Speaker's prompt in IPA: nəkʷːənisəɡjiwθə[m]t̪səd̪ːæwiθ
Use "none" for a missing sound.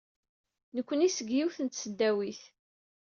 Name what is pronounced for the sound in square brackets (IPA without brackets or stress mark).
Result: n